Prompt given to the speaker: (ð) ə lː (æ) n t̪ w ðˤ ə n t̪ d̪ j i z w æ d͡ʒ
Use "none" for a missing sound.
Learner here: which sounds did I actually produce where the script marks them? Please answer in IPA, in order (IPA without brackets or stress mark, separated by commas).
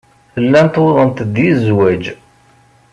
θ, æ